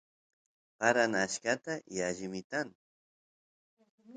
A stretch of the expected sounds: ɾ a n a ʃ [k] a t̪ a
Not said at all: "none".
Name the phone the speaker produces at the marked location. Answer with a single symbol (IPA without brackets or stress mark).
k